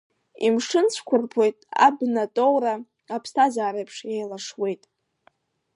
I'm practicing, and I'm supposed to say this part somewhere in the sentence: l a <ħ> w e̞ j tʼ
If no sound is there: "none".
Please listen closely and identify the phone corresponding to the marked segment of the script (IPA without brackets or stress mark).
ʂ